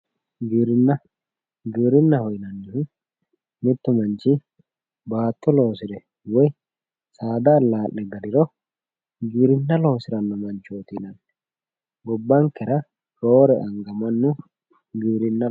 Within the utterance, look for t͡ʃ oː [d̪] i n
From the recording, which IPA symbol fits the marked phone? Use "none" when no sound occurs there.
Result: t̪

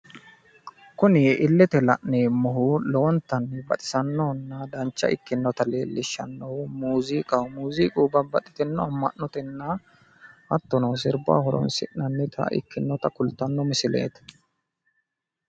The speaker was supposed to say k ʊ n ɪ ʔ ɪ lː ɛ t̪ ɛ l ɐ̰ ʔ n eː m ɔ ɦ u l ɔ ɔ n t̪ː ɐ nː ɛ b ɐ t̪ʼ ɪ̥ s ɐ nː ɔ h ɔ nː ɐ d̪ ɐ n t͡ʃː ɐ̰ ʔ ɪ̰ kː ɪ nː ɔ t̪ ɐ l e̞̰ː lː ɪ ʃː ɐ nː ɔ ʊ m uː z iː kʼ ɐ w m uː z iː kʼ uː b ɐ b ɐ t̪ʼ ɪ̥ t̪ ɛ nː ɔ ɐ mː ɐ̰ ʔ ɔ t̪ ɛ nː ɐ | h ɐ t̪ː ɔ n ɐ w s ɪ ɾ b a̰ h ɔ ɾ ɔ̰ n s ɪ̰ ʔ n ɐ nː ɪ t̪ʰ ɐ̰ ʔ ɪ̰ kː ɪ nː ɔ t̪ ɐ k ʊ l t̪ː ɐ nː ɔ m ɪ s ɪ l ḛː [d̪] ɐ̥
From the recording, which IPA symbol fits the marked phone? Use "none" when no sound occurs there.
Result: t̪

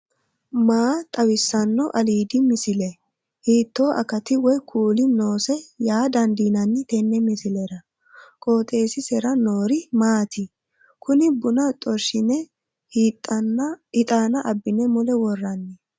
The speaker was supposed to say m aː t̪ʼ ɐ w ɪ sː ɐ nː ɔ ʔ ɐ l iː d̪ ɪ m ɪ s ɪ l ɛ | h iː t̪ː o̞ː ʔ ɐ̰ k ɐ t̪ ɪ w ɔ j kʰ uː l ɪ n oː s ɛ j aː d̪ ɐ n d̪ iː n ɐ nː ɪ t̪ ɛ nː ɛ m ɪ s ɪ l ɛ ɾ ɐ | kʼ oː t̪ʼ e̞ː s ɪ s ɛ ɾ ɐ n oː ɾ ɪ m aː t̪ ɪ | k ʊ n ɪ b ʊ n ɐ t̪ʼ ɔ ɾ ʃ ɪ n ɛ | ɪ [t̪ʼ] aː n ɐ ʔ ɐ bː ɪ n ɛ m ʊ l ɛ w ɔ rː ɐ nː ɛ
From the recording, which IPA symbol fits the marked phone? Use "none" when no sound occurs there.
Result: t̪ʼ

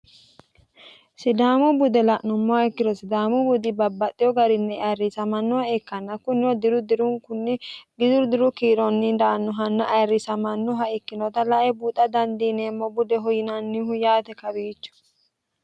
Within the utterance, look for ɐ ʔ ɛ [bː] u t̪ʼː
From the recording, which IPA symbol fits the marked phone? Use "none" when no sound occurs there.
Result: b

